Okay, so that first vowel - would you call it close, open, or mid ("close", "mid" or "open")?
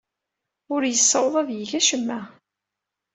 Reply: close